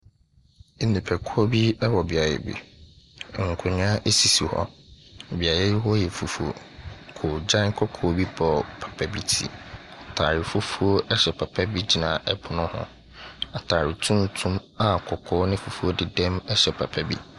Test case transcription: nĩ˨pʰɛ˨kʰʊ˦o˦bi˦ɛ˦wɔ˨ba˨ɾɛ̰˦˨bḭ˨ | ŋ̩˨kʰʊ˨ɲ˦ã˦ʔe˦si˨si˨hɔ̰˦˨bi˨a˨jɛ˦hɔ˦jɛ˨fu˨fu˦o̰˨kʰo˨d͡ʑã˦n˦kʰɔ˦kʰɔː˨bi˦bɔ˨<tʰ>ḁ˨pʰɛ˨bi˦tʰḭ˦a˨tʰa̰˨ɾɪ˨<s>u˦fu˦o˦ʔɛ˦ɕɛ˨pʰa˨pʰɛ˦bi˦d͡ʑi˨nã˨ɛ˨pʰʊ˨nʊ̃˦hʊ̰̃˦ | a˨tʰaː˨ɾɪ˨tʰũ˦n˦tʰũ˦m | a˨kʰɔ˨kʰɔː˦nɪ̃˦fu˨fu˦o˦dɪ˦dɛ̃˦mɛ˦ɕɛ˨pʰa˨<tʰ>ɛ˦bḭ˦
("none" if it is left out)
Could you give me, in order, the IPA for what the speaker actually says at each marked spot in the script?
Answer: pʰ, f, pʰ

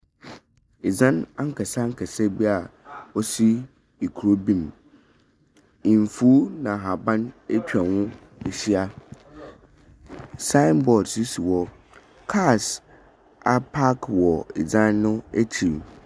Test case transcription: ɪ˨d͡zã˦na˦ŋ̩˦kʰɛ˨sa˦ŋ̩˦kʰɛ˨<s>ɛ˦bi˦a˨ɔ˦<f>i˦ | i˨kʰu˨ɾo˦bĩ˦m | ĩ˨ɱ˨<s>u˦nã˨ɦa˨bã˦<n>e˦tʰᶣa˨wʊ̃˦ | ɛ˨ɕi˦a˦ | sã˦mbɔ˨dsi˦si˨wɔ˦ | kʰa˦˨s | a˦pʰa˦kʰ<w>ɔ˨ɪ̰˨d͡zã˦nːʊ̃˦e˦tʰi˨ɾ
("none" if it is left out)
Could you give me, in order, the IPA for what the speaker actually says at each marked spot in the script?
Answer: s, s, f, n, w

